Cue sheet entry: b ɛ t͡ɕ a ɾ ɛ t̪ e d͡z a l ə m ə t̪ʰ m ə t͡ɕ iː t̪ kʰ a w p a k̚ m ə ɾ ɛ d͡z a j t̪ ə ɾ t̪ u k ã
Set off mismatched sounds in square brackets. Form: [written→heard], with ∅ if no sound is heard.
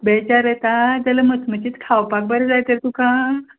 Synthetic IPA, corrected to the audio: b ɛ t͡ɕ a ɾ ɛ t̪ [e→a] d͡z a l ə m ə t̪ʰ m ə t͡ɕ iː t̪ kʰ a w p a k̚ [m→b] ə ɾ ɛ d͡z a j t̪ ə ɾ t̪ u k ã